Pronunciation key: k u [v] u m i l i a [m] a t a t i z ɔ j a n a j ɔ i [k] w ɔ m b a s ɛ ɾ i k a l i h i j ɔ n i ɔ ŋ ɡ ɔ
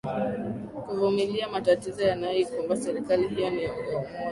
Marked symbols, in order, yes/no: yes, yes, yes

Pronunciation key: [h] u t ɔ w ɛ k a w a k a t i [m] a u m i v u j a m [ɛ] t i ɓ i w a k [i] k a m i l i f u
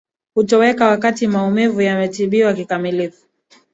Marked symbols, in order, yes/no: yes, yes, yes, yes

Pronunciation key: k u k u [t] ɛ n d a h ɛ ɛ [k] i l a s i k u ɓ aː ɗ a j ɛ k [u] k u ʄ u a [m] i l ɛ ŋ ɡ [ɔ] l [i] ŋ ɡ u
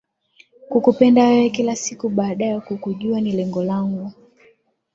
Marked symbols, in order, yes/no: no, yes, yes, no, yes, no

